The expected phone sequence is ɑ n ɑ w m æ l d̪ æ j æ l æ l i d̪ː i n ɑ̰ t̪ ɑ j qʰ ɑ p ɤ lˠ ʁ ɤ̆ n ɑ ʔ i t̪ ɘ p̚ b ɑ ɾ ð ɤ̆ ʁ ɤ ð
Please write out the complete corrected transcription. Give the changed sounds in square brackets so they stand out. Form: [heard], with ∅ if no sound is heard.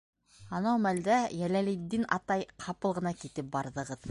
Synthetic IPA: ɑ n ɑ w m æ l d̪ æ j æ l æ l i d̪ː i n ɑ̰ t̪ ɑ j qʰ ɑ p ɤ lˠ ʁ ɤ̆ n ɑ [k] i t̪ ɘ p̚ b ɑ ɾ ð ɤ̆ ʁ ɤ ð